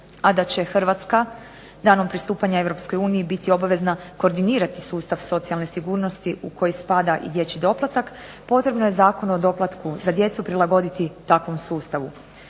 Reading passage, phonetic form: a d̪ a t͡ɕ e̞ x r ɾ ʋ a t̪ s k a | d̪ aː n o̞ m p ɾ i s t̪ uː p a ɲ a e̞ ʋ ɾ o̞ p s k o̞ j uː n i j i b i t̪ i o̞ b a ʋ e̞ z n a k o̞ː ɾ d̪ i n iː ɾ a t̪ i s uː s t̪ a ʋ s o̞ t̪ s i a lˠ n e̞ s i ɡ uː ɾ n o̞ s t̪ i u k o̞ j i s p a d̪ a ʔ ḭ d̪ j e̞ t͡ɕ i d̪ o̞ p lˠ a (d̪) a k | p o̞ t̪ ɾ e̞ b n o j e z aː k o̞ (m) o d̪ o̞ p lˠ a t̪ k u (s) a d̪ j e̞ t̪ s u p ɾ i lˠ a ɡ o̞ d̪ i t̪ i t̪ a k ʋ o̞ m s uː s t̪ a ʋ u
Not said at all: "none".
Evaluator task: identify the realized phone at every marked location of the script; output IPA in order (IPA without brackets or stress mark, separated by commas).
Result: t̪, n, z